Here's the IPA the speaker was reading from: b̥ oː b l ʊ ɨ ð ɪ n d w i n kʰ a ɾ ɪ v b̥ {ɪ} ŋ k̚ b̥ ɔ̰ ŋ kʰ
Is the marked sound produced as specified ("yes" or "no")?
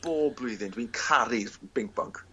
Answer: yes